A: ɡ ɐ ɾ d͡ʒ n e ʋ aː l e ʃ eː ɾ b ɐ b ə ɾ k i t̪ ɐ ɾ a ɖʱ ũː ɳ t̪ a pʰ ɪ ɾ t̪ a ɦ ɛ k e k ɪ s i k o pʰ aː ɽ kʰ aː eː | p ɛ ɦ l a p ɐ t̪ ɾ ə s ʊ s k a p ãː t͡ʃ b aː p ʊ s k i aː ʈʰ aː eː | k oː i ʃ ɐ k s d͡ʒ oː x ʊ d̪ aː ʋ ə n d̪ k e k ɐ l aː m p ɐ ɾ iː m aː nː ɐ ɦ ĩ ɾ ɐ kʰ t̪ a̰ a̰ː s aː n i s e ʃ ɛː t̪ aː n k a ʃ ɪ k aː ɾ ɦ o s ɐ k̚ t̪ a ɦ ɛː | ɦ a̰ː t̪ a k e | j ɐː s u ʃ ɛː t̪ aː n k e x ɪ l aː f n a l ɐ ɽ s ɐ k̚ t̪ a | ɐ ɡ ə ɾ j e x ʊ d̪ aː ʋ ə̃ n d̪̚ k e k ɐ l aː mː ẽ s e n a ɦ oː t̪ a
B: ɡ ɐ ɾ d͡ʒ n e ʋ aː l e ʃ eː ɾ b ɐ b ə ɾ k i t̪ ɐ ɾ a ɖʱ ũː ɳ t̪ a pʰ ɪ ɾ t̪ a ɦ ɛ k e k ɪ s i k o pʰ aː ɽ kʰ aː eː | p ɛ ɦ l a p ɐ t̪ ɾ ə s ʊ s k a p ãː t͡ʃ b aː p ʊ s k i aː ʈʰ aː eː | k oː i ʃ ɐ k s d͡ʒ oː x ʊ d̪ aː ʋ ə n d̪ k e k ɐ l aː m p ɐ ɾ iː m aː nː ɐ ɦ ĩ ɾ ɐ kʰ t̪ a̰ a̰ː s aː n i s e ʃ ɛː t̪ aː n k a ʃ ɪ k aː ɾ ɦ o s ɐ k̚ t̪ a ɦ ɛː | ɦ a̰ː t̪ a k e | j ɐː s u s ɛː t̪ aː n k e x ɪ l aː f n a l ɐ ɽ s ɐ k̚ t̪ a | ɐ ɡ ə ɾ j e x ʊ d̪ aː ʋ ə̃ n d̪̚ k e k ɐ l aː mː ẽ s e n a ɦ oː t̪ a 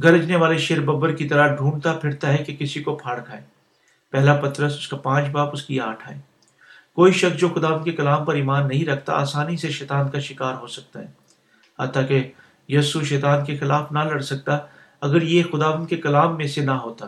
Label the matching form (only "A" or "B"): A